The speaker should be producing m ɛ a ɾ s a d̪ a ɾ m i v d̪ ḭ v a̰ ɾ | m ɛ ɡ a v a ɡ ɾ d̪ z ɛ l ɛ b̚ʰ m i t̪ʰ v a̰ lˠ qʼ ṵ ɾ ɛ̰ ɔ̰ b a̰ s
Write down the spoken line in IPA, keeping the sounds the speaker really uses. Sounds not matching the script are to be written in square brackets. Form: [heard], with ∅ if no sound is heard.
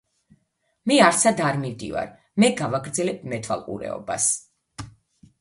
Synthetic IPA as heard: m ɛ a ɾ s a d̪ a ɾ m i v d̪ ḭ v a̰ ɾ | m ɛ ɡ a v a ɡ ɾ d̪ z ɛ l ɛ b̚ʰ m [ɛ] t̪ʰ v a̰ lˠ qʼ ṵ ɾ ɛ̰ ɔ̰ b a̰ s